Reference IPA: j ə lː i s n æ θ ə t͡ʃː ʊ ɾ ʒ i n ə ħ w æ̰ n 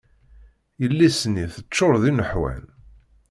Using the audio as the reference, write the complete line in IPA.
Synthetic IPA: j ə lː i s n i θ ə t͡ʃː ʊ ɾ ð i n ə ħ w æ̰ n